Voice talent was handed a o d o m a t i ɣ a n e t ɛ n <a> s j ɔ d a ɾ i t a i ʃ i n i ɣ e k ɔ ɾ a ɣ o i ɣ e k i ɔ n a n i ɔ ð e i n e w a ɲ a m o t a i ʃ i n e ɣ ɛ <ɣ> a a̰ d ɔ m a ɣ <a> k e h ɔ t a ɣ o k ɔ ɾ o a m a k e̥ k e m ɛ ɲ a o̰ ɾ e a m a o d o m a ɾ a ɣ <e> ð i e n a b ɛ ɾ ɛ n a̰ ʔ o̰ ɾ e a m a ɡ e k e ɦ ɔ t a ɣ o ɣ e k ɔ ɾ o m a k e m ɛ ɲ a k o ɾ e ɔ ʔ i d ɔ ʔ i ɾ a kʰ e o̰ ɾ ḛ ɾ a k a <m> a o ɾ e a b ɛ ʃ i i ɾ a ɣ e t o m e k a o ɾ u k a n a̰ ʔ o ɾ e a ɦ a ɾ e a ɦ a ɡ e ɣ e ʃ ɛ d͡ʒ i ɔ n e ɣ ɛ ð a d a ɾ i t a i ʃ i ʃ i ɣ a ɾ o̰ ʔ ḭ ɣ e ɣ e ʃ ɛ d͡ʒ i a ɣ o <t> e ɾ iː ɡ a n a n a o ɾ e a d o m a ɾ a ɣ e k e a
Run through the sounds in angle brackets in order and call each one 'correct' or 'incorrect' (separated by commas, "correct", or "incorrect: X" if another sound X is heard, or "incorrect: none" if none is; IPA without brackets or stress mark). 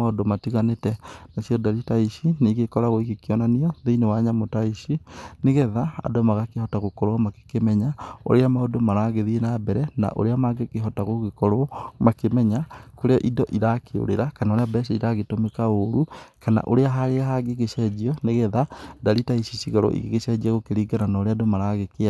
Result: correct, incorrect: ð, correct, correct, incorrect: n, incorrect: k